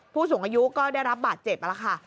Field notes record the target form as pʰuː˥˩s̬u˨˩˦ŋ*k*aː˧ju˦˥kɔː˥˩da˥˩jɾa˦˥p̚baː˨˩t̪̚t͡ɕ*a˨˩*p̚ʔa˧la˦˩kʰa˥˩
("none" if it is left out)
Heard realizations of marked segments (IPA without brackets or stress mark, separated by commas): ʔ, e˨˩